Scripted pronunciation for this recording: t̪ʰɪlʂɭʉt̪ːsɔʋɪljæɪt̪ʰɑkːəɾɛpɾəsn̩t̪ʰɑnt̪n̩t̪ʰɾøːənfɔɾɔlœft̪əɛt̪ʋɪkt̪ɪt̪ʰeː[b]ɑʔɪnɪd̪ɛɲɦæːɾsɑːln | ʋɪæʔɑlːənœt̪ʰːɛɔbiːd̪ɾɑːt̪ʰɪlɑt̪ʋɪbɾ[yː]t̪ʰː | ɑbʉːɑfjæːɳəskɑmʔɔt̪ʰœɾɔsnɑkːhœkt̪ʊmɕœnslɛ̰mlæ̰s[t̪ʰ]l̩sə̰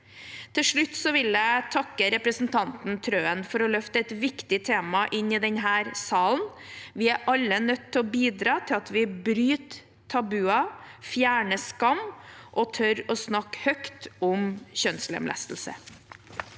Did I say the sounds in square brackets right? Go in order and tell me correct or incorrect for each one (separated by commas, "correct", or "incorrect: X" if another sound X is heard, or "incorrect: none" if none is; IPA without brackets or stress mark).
incorrect: m, correct, incorrect: t̪